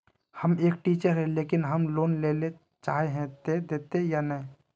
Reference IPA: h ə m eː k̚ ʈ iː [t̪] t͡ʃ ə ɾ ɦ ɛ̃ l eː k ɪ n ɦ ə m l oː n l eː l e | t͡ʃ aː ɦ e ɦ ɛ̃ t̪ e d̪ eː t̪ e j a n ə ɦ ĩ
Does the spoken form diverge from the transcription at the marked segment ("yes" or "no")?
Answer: yes